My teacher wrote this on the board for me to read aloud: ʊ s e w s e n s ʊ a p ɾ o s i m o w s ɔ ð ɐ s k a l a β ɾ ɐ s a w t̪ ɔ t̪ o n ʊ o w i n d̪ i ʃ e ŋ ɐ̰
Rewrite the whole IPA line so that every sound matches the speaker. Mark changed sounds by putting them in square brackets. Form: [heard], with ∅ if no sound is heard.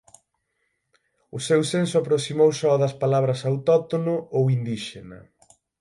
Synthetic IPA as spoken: ʊ s e w s e n s ʊ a p ɾ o s i m o w s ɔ ð ɐ s [p] a l a β ɾ ɐ s a w t̪ ɔ t̪ o n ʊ o w i n d̪ i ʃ e [n] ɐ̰